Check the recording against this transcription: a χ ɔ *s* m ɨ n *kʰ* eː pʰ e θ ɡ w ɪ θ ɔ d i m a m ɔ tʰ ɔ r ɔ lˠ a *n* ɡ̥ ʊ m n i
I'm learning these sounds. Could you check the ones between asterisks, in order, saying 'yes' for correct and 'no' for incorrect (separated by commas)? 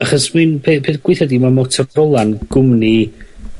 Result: yes, no, yes